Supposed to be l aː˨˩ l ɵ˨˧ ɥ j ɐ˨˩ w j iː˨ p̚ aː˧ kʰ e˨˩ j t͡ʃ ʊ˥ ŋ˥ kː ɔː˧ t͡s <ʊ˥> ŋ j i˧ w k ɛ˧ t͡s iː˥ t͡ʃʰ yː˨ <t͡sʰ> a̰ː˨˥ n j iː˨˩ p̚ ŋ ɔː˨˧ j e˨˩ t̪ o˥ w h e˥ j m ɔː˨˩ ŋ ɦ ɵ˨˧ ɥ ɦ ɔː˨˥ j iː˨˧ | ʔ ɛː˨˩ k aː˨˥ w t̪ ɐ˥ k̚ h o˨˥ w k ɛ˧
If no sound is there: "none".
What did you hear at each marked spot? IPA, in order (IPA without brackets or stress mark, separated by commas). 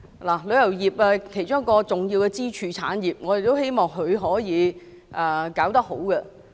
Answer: ʊ˨˩, t͡sʰ